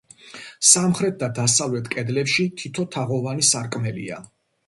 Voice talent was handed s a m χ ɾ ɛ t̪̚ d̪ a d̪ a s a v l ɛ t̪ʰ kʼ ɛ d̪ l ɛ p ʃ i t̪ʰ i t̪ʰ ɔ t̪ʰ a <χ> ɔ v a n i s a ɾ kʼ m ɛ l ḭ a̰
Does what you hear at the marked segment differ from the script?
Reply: yes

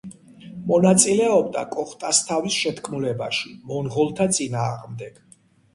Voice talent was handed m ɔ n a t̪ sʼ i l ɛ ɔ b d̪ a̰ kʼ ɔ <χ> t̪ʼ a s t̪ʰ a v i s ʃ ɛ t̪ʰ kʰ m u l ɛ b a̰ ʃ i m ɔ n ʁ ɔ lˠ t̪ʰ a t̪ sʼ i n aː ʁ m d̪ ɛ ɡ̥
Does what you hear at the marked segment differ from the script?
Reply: no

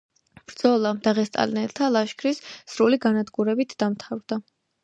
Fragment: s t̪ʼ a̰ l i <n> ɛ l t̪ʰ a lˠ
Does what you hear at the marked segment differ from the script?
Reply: no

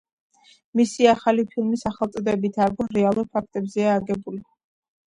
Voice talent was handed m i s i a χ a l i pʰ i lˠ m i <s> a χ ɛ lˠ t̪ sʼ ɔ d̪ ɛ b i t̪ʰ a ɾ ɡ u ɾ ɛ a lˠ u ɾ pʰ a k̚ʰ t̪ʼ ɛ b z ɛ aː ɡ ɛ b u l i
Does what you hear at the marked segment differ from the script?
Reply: no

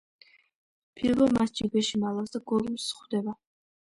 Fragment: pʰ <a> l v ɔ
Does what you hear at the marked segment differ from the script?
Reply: yes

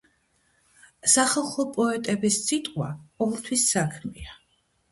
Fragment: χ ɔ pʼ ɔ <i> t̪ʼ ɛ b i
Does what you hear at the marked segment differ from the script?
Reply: yes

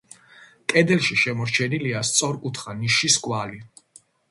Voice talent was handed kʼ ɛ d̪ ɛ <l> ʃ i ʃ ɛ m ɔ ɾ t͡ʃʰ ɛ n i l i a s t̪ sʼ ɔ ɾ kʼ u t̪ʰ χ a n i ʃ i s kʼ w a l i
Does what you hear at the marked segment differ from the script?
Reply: no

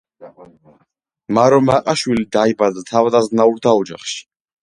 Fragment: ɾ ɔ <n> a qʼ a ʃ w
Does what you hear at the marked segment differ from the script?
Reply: yes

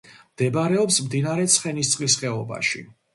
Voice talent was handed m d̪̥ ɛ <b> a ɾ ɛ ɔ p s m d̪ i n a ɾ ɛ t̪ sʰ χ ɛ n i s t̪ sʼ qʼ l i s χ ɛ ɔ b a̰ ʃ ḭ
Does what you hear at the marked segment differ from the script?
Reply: no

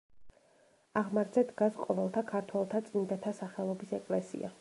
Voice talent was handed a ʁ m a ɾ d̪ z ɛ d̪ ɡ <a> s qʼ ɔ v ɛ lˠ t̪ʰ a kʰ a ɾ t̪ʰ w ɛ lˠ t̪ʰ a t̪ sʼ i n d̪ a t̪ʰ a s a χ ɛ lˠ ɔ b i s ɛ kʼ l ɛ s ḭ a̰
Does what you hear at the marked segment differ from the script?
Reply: no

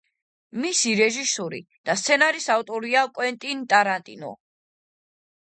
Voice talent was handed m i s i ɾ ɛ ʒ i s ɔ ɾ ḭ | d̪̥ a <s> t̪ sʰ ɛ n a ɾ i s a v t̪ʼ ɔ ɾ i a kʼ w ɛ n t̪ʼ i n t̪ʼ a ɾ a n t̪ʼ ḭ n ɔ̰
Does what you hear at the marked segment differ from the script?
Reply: no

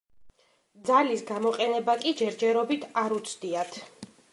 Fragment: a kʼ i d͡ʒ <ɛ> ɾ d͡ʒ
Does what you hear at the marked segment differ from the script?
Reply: no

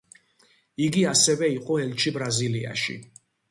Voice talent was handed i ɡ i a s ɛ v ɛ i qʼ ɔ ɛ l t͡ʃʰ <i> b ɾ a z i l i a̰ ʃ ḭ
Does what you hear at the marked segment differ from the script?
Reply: no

